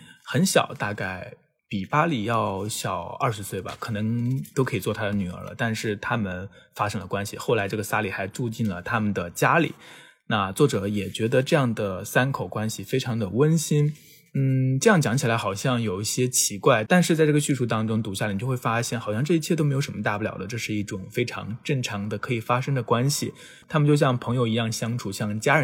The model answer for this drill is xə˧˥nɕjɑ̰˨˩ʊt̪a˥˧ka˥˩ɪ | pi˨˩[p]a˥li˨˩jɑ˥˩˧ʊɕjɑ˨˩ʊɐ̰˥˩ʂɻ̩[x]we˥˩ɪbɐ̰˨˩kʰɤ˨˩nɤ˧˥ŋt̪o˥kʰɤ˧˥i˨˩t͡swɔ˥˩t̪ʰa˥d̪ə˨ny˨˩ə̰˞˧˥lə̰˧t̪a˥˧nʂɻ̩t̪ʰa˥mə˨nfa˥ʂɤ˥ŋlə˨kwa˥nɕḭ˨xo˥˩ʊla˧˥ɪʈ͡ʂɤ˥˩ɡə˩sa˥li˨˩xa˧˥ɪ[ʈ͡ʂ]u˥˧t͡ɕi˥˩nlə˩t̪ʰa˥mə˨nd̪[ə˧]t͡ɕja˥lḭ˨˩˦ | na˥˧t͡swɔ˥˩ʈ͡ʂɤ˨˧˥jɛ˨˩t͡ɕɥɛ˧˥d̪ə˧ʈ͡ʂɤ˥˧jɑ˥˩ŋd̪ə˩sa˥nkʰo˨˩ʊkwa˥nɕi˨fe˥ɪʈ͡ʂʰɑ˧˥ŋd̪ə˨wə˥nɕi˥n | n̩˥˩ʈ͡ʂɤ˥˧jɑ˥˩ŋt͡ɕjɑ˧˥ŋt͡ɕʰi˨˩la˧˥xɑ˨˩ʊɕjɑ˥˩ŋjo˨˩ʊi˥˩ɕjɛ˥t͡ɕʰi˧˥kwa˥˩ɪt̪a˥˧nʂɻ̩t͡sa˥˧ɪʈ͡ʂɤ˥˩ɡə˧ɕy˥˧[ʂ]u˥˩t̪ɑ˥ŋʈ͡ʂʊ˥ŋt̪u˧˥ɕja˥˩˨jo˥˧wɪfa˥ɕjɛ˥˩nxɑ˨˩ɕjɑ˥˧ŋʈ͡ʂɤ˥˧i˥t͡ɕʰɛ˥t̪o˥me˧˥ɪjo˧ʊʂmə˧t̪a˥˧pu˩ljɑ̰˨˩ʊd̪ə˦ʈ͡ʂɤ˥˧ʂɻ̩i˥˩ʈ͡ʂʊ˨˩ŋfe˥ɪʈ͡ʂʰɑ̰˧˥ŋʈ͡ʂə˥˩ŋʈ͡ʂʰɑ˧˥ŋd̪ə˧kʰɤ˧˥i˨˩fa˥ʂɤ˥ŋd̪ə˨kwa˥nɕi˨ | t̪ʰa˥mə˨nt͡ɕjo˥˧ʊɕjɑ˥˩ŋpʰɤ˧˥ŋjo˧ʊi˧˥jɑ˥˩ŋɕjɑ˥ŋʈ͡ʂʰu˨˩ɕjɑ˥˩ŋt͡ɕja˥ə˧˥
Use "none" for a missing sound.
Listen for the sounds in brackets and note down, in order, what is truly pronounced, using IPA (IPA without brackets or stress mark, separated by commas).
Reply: p, s, ʈ͡ʂ, ə˩, ʂ